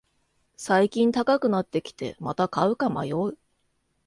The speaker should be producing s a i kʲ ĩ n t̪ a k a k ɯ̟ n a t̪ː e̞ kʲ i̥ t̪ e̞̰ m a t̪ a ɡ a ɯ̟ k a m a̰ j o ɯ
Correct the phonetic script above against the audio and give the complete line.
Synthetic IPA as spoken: s a i kʲ ĩ n t̪ a k a k ɯ̟ n a t̪ː e̞ kʲ i̥ t̪ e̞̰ m a t̪ a k a ɯ̟ k a m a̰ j o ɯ